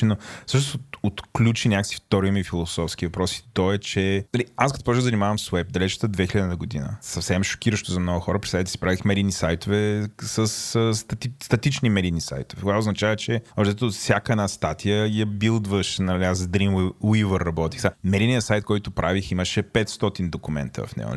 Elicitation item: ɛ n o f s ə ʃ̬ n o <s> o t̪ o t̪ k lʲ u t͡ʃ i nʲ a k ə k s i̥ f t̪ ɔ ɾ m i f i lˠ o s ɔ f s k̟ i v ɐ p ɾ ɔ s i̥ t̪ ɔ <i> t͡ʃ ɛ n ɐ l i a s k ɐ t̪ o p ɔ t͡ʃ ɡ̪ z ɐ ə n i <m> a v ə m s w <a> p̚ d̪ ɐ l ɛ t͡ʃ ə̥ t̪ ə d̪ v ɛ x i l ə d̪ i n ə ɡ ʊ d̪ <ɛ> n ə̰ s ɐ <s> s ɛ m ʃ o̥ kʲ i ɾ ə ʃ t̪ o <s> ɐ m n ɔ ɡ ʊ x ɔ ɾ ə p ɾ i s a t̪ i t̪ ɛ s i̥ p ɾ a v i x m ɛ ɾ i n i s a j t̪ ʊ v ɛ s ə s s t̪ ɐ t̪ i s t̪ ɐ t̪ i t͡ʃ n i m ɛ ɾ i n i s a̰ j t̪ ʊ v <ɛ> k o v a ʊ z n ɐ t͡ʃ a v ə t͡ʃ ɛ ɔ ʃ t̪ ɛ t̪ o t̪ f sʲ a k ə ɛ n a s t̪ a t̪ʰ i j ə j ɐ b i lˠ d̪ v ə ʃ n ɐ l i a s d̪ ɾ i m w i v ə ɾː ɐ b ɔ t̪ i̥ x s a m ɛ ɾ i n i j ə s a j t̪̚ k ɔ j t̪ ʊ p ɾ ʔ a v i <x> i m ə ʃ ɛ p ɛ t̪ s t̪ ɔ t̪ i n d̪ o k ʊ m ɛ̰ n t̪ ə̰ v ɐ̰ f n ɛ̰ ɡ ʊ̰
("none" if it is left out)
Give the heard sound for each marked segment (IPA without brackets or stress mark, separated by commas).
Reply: s, ɛ, m, ɛ, i, f, z, ɛ, x